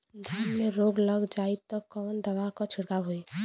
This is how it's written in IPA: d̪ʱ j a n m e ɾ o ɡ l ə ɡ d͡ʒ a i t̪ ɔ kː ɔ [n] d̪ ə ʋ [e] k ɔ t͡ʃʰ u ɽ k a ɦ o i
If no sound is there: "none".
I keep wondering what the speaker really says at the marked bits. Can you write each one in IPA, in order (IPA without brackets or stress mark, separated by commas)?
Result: n, a